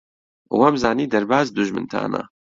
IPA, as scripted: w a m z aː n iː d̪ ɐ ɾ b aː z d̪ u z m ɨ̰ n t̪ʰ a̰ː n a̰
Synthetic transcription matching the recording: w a m z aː n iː d̪ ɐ ɾ b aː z d̪ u ʒ m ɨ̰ n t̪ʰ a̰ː n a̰